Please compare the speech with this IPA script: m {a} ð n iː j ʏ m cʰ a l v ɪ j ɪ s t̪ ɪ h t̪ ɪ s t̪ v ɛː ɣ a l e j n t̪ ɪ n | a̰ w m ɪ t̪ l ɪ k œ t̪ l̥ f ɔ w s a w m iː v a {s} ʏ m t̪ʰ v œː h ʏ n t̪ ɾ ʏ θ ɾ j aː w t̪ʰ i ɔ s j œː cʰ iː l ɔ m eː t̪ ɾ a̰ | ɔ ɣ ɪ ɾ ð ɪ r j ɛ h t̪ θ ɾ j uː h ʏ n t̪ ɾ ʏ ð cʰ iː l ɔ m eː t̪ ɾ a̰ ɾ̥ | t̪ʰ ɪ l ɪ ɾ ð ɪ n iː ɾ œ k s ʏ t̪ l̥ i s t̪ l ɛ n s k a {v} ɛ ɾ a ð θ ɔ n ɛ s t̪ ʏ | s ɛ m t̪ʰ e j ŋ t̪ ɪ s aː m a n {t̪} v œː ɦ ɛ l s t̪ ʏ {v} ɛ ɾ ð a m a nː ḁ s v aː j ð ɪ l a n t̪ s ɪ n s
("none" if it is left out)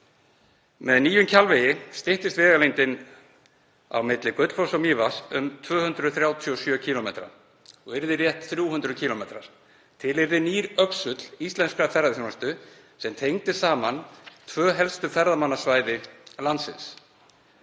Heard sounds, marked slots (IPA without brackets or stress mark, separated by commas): ɛ, s, f, t̪ʰ, f